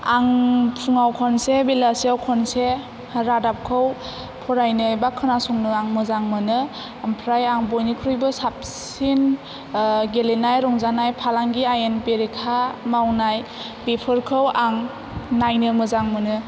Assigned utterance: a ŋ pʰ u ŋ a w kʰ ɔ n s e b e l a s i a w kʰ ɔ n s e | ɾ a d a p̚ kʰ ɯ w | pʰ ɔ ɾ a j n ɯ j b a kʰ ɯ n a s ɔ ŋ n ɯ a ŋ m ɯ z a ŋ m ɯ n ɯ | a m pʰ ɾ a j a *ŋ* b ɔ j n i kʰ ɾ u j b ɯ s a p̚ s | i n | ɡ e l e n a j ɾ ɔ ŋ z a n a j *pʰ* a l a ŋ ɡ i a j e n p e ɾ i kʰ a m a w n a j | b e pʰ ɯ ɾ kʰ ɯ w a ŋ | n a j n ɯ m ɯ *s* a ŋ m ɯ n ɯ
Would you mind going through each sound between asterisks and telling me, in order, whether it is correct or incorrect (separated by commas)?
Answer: correct, correct, incorrect